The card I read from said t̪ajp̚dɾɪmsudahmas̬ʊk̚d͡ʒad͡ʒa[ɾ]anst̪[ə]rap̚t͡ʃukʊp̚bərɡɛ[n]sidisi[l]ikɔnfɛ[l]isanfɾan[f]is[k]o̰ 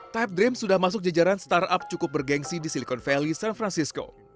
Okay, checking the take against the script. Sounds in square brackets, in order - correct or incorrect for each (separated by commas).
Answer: correct, incorrect, incorrect, correct, correct, incorrect, correct